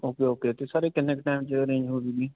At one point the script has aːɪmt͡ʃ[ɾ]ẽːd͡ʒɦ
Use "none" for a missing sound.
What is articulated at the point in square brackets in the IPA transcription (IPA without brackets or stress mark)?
ɾ